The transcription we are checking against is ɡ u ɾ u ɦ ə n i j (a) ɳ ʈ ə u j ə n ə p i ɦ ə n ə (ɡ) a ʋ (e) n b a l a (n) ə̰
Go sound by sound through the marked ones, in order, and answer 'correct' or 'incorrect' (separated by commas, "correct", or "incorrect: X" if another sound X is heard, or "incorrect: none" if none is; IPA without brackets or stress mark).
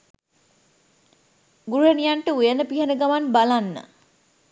correct, correct, incorrect: a, incorrect: nː